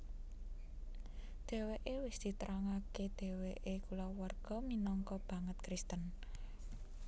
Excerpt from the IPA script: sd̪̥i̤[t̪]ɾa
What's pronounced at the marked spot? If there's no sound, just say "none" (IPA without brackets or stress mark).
t̪